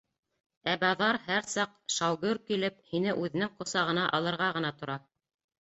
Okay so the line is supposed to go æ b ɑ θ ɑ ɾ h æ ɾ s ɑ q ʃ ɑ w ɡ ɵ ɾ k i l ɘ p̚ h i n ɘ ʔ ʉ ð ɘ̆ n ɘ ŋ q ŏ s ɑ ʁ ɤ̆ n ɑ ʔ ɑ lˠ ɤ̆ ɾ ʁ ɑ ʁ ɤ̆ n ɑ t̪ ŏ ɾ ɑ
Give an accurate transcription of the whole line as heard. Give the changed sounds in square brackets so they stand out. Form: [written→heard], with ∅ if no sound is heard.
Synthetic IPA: æ b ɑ [θ→ð] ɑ ɾ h æ ɾ s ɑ q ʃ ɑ w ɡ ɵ ɾ k i l ɘ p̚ h i n ɘ ʔ ʉ ð ɘ̆ n ɘ ŋ q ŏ s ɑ ʁ ɤ̆ n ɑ ʔ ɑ lˠ ɤ̆ ɾ ʁ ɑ ʁ ɤ̆ n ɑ t̪ ŏ ɾ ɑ